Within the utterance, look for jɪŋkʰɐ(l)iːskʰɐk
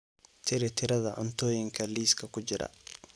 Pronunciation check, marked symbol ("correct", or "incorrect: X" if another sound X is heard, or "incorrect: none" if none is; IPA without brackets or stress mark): correct